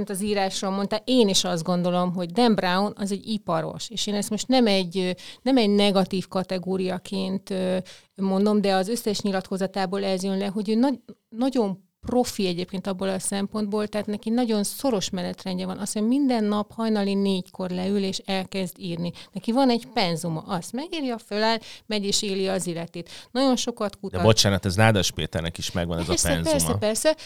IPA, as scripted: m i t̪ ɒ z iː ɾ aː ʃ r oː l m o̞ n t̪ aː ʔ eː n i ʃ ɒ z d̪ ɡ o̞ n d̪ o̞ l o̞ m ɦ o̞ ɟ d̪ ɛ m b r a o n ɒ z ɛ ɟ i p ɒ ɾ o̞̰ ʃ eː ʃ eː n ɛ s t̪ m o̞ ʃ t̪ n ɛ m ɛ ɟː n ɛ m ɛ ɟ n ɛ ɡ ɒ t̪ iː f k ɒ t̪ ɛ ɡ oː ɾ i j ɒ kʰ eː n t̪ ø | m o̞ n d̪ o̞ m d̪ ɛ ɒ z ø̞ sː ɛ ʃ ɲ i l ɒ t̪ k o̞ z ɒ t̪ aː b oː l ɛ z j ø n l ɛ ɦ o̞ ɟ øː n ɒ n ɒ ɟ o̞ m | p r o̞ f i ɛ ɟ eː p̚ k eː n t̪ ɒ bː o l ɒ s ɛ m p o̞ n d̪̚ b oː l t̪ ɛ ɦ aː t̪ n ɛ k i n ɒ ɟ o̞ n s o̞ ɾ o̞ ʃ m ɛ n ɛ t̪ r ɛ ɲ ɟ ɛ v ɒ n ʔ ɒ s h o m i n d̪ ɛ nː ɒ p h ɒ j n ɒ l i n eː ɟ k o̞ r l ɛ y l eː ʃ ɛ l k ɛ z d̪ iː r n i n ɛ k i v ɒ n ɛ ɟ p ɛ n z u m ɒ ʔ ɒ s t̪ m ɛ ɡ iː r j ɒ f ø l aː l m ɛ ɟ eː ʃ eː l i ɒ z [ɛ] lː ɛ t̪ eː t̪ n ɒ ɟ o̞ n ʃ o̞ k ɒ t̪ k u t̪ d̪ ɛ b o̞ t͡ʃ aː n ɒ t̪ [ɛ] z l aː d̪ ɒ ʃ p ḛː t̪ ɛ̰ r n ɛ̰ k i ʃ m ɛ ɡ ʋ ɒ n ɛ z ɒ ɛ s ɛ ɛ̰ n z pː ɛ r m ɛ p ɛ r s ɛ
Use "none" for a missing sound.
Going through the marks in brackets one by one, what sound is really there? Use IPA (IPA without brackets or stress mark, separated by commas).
i, ɛ